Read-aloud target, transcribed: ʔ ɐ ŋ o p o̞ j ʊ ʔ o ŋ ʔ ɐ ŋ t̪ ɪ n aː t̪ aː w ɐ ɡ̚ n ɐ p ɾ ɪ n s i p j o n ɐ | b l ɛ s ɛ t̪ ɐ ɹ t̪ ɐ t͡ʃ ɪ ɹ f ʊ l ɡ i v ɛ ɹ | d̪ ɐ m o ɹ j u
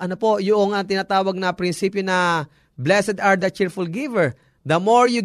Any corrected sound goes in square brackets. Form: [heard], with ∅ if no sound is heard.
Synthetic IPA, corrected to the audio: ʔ ɐ [n] o p o̞ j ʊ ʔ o ŋ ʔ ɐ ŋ t̪ ɪ n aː t̪ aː w ɐ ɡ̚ n ɐ p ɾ ɪ n s i p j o n ɐ | b l ɛ s ɛ [d̪] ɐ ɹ [d̪] ɐ t͡ʃ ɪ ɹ f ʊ l ɡ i v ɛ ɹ | d̪ ɐ m o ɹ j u